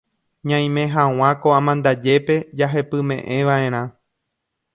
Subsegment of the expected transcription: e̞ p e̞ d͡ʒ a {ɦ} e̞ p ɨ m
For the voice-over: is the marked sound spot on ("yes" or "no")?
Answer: yes